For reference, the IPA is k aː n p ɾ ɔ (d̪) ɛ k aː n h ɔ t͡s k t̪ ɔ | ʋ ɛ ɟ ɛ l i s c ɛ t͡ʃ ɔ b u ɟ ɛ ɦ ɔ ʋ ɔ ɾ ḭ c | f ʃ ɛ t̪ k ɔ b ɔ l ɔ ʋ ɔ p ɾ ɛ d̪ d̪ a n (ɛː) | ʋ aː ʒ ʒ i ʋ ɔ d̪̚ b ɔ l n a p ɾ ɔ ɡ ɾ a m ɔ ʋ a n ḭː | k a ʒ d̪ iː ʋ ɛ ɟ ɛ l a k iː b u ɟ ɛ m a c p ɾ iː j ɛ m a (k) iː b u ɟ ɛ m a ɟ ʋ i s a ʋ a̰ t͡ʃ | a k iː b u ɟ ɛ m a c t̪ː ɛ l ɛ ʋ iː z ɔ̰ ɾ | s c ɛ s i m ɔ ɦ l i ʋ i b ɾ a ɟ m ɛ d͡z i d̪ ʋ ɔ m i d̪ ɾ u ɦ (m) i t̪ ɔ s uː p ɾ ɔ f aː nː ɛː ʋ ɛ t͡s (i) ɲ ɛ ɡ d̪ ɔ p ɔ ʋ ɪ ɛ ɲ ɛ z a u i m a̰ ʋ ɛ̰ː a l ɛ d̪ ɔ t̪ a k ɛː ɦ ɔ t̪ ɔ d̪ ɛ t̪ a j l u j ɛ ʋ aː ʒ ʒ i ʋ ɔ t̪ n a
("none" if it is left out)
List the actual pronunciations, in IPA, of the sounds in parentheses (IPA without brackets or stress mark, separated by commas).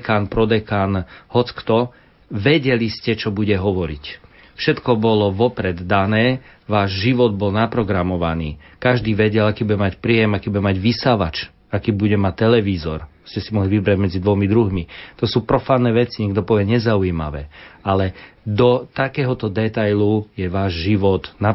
d̪, ɛː, k, m, i